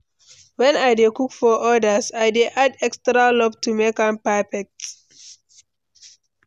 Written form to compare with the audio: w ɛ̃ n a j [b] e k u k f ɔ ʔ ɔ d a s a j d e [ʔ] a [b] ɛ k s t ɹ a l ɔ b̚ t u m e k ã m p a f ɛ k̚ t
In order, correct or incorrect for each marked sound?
incorrect: d, correct, incorrect: d

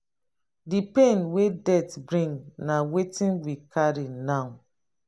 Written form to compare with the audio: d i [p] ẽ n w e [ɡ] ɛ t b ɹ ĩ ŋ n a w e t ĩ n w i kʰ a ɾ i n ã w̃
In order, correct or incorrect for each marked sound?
correct, incorrect: d

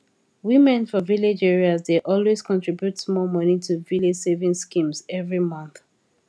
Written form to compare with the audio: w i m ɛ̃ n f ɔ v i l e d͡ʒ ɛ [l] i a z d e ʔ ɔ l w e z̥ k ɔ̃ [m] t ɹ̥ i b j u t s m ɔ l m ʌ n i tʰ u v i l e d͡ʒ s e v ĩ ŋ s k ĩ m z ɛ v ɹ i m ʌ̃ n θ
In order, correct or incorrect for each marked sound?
incorrect: ɹ, incorrect: n

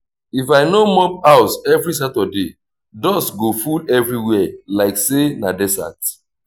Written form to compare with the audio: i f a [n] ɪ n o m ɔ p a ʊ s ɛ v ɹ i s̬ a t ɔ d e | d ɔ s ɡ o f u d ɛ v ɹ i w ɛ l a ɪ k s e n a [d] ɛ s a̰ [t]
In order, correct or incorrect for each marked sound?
incorrect: none, correct, correct

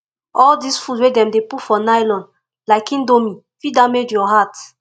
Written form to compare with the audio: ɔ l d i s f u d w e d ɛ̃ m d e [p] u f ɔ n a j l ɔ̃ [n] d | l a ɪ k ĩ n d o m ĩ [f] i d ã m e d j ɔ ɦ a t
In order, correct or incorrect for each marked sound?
correct, correct, correct

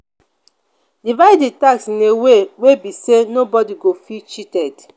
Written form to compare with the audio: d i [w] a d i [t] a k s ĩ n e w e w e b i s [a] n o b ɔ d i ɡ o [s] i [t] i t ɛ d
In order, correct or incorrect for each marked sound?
incorrect: v, correct, incorrect: e, incorrect: f, incorrect: t͡ʃ

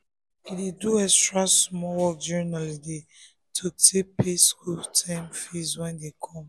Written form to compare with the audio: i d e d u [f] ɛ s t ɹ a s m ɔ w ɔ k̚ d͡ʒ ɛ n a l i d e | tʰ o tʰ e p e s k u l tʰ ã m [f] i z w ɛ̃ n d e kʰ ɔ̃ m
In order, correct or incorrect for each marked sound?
incorrect: none, correct

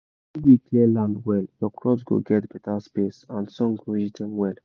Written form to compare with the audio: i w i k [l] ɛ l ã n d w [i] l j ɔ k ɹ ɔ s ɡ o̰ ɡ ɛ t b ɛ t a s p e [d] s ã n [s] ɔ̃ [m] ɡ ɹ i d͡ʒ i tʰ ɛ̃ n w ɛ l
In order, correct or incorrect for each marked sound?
correct, incorrect: ɛ, incorrect: none, correct, incorrect: ŋ

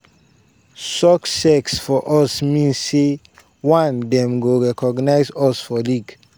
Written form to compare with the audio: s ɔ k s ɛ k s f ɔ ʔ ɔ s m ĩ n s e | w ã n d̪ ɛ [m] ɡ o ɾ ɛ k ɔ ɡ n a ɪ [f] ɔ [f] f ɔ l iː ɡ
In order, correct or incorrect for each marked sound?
correct, incorrect: s, incorrect: s

